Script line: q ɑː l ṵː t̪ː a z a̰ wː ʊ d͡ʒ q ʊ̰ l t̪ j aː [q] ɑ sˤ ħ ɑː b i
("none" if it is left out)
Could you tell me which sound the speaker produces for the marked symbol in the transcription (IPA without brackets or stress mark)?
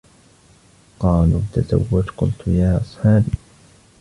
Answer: ʔ